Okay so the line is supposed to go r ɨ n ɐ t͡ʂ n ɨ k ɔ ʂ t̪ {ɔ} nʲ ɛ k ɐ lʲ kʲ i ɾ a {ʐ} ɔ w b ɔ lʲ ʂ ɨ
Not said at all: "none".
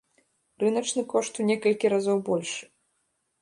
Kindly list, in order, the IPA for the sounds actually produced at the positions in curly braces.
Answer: u, z

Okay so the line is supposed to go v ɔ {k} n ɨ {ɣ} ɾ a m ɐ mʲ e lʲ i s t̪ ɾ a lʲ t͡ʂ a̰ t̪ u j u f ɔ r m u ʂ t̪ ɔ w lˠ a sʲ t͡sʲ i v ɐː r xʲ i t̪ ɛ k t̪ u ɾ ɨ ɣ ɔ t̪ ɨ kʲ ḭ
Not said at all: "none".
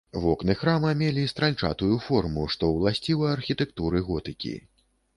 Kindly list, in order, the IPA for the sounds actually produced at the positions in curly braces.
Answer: k, x

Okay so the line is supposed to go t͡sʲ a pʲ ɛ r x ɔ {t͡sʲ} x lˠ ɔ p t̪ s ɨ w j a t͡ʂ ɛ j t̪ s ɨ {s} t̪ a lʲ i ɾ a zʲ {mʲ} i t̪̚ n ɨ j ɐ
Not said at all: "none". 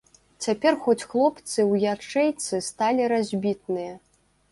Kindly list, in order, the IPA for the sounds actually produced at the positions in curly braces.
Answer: t͡sʲ, s, bʲ

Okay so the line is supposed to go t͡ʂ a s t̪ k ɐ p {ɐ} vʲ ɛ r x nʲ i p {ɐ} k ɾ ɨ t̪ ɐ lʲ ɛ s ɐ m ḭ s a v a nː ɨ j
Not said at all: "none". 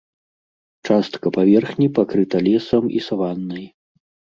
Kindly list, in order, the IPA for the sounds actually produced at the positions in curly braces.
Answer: a, a

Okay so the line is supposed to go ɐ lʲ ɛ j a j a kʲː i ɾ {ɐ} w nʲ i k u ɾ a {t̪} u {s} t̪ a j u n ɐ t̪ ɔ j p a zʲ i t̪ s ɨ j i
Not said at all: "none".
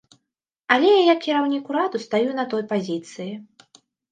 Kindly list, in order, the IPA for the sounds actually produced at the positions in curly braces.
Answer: a, d̪, s

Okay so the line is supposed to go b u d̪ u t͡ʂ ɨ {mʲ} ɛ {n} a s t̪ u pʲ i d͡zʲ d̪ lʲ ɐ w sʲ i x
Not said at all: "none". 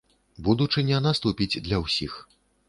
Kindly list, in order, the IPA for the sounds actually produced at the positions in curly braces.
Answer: nʲ, n

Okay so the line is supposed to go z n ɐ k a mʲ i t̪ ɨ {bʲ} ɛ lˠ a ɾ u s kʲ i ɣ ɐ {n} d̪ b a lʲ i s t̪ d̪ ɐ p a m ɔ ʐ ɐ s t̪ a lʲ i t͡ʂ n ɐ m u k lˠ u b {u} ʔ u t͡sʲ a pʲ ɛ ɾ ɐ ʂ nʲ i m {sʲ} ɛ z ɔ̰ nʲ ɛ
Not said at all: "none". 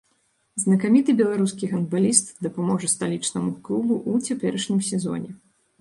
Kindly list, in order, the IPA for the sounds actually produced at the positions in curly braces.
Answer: bʲ, n, u, sʲ

